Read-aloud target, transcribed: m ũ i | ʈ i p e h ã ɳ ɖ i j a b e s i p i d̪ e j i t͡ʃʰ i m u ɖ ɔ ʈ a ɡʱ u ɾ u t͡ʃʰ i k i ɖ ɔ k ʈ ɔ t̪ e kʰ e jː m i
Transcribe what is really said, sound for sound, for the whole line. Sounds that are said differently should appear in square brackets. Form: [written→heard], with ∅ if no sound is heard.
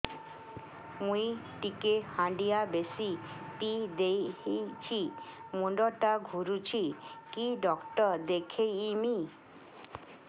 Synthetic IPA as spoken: m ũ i | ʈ i [p→k] e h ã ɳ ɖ i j a b e s i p i d̪ e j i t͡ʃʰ i m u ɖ ɔ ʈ a ɡʱ u ɾ u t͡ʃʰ i k i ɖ ɔ k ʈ ɔ [t̪→d̪] e kʰ e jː m i